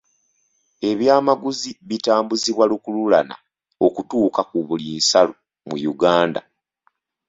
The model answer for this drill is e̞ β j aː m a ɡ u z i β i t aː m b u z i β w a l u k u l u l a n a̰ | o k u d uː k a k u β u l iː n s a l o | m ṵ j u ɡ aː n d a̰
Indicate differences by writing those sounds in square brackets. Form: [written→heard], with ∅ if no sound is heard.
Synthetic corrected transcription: e̞ β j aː m a ɡ u z i β i t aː m b u z i β w a l u k u l u l a n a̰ | o k u [d→t] uː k a k u β u l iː n s a l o | m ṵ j u ɡ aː n d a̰

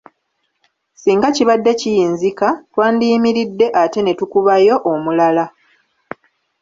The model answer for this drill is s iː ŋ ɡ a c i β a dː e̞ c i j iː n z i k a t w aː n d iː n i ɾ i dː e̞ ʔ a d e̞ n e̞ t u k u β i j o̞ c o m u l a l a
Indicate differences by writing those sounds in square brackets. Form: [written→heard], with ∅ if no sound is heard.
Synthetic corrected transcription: s iː ŋ ɡ a c i β a dː e̞ c i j iː n z i k a t w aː n d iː [n→m] i ɾ i dː e̞ ʔ a [d→t] e̞ n e̞ t u k u β [i→a] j o̞ [c→ʔ] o m u l a l a

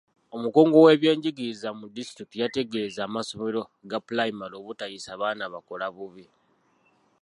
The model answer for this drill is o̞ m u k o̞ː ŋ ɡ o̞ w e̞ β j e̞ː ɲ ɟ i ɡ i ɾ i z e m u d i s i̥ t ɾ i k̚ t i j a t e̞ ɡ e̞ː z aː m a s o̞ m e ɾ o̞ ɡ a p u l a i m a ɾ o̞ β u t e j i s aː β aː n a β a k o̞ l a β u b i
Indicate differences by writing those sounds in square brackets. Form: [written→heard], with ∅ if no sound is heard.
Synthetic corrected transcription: o̞ m u k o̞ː ŋ ɡ o̞ w e̞ β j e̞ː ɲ ɟ i ɡ i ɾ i z [e→a] m u d i s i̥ t ɾ i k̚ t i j a t e̞ ɡ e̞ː z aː m a s o̞ m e ɾ o̞ ɡ a p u l a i m a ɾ o̞ β u t [e→a] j i s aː β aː n a β a k o̞ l a β u [b→β] i

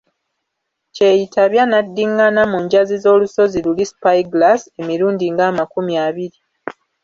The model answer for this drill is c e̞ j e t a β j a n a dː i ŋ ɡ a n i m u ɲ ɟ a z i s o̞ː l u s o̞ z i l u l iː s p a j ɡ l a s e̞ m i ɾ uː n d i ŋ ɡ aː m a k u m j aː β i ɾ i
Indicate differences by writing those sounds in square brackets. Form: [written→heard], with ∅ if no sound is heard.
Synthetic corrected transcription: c e̞ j [e→i] t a β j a n a dː i ŋ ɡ a n [i→a] m u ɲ ɟ a z i [s→z] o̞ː l u s o̞ z i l u l [iː→i] s p a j ɡ l a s e̞ m i ɾ uː n d i ŋ ɡ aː m a k u m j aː β i ɾ i

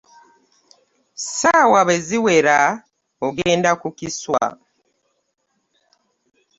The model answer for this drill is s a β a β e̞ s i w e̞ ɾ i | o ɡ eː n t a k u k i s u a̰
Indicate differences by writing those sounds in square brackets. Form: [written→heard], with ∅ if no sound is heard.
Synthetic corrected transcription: s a [β→w] a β e̞ [s→z] i w e̞ ɾ [i→a] | o ɡ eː n [t→d] a k u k i s [u→w] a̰

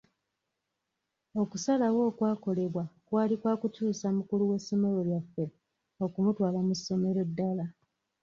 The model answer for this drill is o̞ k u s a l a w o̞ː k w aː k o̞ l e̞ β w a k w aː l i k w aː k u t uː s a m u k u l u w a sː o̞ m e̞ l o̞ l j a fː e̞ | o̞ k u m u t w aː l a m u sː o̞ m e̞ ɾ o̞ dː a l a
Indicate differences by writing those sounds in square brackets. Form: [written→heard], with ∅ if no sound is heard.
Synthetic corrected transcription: o̞ k u s a l a w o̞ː k w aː k o̞ l e̞ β w a k w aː l i k w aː k u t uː s a m u k u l u w [a→e] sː o̞ m e̞ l o̞ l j a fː e̞ | o̞ k u m u t w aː l a m u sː o̞ m e̞ ɾ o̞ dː a l a

